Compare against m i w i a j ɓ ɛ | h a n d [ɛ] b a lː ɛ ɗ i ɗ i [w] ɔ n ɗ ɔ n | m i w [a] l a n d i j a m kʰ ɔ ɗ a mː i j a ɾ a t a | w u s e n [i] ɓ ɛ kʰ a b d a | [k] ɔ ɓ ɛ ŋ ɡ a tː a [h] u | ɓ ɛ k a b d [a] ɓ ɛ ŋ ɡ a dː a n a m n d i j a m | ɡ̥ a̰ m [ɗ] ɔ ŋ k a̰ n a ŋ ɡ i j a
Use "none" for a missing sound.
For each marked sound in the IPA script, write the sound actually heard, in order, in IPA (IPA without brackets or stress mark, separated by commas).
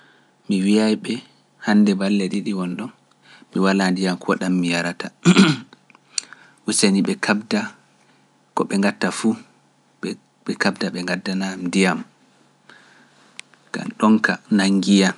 ɛ, w, a, i, k, f, a, ɗ